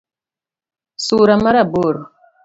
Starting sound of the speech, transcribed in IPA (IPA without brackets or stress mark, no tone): s